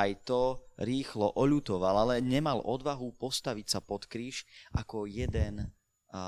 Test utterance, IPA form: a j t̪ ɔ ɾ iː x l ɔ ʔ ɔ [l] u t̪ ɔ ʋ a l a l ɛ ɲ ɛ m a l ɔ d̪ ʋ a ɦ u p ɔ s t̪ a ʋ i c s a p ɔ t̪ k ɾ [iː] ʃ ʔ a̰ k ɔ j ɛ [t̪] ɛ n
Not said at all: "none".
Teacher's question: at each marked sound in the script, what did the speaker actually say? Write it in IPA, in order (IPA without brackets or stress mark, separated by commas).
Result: ʎ, iː, d̪